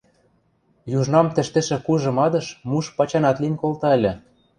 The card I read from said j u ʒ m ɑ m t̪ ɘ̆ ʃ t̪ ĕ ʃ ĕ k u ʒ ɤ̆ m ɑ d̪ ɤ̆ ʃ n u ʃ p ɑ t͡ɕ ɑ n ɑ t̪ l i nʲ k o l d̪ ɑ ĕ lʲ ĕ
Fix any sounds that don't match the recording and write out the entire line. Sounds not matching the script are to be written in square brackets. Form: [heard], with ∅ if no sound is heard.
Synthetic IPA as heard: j u ʒ [n] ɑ m t̪ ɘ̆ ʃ t̪ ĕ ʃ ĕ k u ʒ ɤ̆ m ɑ d̪ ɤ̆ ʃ [m] u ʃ p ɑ t͡ɕ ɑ n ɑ t̪ l i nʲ k o l [t̪] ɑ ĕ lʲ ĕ